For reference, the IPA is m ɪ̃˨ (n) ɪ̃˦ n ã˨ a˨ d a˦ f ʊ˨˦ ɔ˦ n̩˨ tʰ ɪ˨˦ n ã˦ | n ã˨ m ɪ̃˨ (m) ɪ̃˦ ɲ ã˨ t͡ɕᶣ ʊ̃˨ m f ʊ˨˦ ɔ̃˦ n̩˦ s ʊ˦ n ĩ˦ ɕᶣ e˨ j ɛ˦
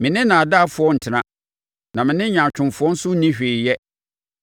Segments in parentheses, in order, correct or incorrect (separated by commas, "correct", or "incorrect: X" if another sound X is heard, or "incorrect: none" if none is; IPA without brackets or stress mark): correct, incorrect: n